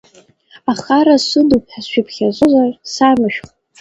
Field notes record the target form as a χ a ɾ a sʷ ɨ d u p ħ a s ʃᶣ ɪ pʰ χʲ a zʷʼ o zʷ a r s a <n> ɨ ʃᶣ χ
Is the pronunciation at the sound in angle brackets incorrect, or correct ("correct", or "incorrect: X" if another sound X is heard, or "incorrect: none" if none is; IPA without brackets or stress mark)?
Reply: incorrect: m